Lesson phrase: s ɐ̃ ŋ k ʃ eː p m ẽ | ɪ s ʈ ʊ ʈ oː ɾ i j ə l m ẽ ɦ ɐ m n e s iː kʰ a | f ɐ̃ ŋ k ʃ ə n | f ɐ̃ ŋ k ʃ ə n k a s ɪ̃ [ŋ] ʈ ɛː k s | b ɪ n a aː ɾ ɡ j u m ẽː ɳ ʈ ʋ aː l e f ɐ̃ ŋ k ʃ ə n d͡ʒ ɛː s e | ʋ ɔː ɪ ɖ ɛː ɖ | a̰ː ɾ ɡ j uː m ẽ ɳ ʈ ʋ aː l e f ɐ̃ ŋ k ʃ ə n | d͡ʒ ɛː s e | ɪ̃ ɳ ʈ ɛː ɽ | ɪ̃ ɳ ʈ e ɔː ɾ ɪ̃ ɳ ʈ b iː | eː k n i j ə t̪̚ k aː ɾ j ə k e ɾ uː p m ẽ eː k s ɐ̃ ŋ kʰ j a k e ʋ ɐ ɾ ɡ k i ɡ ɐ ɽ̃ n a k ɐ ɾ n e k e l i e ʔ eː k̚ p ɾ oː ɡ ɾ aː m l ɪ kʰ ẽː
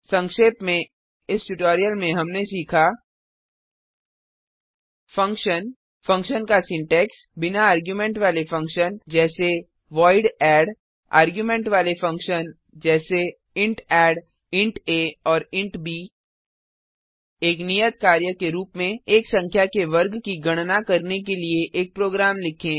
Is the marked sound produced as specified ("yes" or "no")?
no